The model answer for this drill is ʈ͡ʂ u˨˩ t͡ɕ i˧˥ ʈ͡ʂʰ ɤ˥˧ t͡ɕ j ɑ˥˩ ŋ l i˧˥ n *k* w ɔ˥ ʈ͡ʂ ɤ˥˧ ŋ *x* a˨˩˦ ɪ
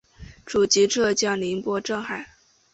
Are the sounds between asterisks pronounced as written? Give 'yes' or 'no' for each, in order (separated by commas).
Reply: no, yes